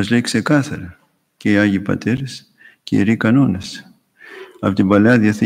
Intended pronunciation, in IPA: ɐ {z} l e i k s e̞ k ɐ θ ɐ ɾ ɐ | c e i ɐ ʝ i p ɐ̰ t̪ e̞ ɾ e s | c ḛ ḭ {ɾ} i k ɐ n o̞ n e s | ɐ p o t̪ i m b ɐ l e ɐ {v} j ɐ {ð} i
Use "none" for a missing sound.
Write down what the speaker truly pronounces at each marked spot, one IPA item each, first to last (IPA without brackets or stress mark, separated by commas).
z, ɾ, ð, θ